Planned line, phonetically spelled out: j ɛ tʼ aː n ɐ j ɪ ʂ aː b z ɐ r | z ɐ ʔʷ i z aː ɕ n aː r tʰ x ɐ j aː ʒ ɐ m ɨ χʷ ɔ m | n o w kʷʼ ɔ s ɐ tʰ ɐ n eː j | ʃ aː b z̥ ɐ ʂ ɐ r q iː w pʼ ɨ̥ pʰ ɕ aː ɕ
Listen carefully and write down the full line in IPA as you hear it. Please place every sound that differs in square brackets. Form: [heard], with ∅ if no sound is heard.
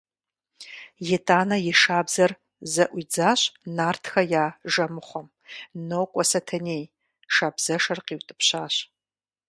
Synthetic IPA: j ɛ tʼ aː n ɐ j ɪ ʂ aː b z ɐ r | z ɐ ʔʷ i [d͡z] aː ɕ n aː r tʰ x ɐ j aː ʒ ɐ m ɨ χʷ ɔ m | n o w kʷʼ ɔ s ɐ tʰ ɐ n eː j | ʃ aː b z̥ ɐ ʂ ɐ r q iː w [tʼ] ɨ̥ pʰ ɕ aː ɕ